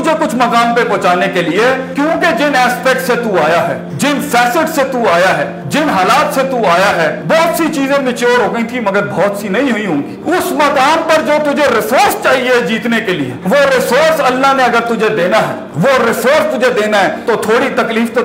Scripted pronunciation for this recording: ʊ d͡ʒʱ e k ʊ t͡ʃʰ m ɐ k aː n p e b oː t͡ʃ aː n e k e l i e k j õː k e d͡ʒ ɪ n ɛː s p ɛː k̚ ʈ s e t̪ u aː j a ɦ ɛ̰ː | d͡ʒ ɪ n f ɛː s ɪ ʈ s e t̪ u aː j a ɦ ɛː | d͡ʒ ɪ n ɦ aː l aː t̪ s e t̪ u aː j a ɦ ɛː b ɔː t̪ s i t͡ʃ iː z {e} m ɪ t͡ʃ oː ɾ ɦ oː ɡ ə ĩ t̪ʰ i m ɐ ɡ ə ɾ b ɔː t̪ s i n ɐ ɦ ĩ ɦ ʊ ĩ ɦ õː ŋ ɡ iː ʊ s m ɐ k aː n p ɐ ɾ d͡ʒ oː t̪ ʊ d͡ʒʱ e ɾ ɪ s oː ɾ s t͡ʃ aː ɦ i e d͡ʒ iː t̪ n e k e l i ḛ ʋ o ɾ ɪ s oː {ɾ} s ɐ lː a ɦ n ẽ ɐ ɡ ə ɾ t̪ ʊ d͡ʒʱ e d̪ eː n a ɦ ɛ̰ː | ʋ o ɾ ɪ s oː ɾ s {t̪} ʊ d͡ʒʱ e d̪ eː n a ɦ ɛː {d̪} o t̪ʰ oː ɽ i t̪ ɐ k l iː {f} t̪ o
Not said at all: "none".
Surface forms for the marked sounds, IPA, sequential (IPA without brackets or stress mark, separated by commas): ẽ, ɾ, t̪, t̪, f